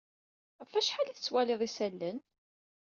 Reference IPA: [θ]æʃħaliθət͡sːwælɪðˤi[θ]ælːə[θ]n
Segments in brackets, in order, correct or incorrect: incorrect, incorrect, incorrect

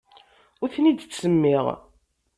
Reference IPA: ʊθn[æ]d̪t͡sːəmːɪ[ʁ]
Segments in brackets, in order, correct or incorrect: incorrect, correct

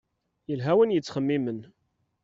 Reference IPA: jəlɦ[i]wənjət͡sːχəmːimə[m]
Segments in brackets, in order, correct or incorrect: incorrect, incorrect

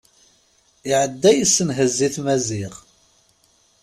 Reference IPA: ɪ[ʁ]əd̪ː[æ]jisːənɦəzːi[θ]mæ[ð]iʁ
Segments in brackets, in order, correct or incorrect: incorrect, correct, correct, incorrect

